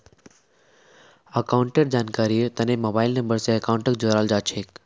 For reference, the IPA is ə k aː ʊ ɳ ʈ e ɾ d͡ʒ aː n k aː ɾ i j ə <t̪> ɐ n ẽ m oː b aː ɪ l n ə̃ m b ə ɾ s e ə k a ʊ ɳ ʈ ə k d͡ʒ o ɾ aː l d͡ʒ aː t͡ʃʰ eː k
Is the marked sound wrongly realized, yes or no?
no